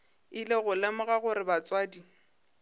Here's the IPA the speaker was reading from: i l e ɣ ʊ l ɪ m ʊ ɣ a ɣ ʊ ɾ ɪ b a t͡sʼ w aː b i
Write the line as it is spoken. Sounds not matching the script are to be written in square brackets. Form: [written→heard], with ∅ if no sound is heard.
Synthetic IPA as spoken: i l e ɣ ʊ l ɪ m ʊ ɣ a ɣ ʊ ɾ ɪ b a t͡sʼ w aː [b→d] i